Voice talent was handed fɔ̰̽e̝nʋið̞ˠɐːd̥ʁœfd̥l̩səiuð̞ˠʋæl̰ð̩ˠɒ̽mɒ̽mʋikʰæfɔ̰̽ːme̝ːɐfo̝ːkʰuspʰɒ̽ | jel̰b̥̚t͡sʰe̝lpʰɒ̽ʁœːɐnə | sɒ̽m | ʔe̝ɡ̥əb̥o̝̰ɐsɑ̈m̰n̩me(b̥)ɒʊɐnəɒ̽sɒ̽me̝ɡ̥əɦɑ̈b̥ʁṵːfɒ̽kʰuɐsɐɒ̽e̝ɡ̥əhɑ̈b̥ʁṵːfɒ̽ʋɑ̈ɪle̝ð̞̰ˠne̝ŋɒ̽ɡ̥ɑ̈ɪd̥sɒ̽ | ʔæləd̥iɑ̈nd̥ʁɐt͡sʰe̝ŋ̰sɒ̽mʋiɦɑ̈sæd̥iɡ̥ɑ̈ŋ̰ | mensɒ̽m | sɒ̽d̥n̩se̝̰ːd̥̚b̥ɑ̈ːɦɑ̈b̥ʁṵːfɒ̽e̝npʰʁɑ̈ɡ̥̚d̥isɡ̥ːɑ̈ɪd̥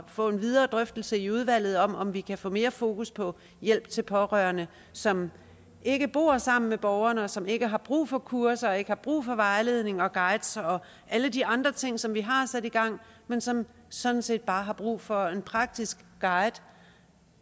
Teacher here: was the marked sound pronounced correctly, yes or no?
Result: yes